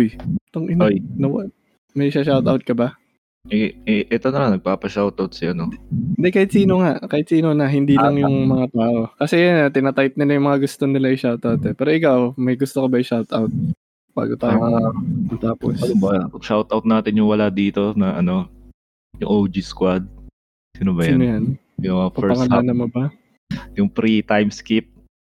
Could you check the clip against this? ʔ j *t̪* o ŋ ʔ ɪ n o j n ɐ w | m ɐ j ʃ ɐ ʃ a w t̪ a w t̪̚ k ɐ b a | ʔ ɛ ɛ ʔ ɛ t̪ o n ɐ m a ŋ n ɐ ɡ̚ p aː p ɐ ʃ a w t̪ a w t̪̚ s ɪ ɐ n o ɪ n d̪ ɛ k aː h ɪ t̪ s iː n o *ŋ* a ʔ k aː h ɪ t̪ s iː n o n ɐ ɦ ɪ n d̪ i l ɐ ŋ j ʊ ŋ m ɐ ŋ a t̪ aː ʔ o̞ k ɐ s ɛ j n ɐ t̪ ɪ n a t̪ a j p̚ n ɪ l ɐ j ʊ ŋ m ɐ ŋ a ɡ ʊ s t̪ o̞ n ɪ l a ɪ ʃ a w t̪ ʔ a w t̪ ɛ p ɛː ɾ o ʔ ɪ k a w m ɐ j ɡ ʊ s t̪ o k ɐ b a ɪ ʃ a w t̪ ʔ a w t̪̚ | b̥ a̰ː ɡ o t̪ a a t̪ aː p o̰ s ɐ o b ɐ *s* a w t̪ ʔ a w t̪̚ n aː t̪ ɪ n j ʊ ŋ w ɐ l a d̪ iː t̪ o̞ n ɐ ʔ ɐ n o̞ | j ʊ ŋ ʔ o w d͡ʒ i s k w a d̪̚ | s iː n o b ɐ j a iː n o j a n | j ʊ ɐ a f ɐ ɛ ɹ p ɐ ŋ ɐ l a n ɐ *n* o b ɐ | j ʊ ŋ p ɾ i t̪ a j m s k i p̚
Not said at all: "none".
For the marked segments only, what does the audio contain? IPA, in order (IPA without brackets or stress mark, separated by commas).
t̪, ŋ, ʃ, m